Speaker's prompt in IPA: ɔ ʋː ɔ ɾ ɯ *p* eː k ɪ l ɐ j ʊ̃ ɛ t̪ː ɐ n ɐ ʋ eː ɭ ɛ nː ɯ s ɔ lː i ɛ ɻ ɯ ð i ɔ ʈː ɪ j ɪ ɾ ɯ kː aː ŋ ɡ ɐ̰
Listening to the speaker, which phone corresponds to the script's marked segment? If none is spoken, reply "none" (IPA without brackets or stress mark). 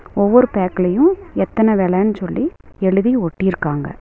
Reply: p